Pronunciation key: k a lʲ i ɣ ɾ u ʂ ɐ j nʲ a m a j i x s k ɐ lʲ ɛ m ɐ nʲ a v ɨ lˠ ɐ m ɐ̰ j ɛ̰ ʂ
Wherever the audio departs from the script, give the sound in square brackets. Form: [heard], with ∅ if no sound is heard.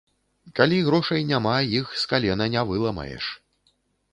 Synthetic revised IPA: k a lʲ i ɣ ɾ [ɔ] ʂ ɐ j nʲ a m a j i x s k [a] lʲ ɛ [n] ɐ nʲ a v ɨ lˠ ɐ m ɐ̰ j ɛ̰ ʂ